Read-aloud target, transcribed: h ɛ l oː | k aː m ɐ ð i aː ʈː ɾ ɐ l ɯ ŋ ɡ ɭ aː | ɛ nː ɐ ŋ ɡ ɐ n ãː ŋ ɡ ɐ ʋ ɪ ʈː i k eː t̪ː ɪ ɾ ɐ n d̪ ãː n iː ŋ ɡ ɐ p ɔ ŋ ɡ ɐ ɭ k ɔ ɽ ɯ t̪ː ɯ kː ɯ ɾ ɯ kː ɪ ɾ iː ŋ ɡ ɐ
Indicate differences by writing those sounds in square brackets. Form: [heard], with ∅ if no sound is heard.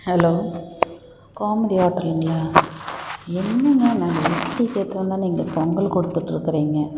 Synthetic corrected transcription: h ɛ l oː | k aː m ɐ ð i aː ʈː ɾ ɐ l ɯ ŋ ɡ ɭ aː | ɛ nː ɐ ŋ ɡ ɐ n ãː ŋ ɡ ɐ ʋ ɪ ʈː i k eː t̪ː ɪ ɾ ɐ n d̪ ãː n iː ŋ ɡ ɐ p ɔ ŋ ɡ ɐ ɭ k ɔ ɽ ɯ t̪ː ɯ [ʈː] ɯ ɾ ɯ kː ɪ ɾ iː ŋ ɡ ɐ

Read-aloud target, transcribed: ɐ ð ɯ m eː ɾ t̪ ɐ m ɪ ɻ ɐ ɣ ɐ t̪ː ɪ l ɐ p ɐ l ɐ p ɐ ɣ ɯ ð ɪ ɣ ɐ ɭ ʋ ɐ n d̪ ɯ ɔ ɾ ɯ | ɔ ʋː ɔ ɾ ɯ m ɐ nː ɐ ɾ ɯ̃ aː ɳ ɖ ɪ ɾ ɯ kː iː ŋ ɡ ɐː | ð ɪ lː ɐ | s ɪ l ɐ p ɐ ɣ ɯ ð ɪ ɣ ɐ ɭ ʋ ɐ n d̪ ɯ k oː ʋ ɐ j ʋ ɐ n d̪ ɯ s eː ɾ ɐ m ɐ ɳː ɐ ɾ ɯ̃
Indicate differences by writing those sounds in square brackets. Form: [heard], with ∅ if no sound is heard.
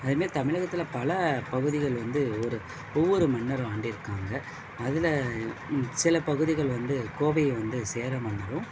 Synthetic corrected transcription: ɐ ð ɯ m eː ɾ t̪ ɐ m ɪ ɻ ɐ ɣ ɐ t̪ː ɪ l ɐ p ɐ l ɐ p ɐ ɣ ɯ ð ɪ ɣ ɐ ɭ ʋ ɐ n d̪ ɯ ɔ ɾ ɯ | ɔ ʋː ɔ ɾ ɯ m ɐ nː ɐ ɾ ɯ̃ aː ɳ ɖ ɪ ɾ ɯ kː [aː] ŋ ɡ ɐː | ð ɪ [l] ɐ | s ɪ l ɐ p ɐ ɣ ɯ ð ɪ ɣ ɐ ɭ ʋ ɐ n d̪ ɯ k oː ʋ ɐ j ʋ ɐ n d̪ ɯ s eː ɾ ɐ m ɐ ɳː ɐ ɾ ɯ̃

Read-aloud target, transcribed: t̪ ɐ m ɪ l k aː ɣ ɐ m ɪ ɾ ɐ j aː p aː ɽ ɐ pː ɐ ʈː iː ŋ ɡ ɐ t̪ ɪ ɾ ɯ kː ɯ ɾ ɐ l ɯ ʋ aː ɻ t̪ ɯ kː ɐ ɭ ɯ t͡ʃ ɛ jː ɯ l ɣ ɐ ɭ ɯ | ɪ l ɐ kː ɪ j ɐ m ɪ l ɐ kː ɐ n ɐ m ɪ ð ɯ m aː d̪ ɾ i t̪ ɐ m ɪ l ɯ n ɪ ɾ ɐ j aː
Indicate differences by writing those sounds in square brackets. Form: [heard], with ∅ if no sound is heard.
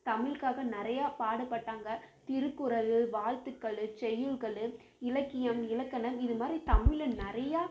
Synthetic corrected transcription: t̪ ɐ m ɪ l k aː ɣ ɐ [n] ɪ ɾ ɐ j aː p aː ɽ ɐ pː ɐ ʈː [aː] ŋ ɡ ɐ t̪ ɪ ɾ ɯ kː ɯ ɾ ɐ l ɯ ʋ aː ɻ t̪ ɯ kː ɐ ɭ ɯ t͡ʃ ɛ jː ɯ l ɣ ɐ ɭ ɯ | ɪ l ɐ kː ɪ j ɐ m ɪ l ɐ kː ɐ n ɐ m ɪ ð ɯ m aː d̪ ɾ i t̪ ɐ m ɪ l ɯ n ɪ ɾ ɐ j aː

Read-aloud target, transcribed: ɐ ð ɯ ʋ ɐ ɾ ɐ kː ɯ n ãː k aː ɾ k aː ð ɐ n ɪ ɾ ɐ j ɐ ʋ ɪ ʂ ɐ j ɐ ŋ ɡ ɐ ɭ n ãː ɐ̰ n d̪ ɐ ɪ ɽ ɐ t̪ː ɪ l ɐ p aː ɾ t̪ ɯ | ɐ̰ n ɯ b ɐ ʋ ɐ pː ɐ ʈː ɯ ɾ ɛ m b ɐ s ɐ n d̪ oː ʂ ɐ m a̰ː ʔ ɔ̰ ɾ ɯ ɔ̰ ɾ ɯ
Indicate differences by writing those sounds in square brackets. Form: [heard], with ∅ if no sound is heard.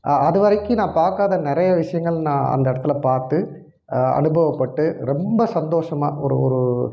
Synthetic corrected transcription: ɐ ð ɯ ʋ ɐ ɾ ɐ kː ɯ n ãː [p] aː ɾ k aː ð ɐ n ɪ ɾ ɐ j ɐ ʋ ɪ ʂ ɐ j ɐ ŋ ɡ ɐ ɭ n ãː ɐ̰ n d̪ ɐ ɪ ɽ ɐ t̪ː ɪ l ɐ p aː ɾ t̪ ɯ | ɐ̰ n ɯ b ɐ ʋ ɐ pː ɐ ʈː ɯ ɾ ɛ m b ɐ s ɐ n d̪ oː ʂ ɐ m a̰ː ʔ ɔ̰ ɾ ɯ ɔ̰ ɾ ɯ

